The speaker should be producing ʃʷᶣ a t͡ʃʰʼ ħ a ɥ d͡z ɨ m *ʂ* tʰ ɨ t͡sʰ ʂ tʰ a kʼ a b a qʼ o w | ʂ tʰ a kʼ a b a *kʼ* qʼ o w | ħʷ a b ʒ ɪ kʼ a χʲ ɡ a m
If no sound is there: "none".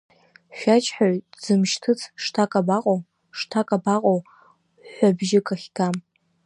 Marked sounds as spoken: ʃ, none

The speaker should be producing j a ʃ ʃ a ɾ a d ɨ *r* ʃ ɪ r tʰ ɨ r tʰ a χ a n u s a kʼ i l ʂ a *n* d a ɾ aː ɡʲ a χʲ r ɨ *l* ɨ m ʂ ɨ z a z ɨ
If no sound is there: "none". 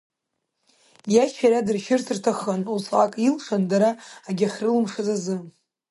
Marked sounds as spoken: r, n, l

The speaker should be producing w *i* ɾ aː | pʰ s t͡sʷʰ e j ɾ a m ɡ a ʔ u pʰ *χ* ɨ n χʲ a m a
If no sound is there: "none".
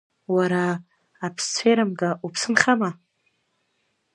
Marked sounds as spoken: a, s

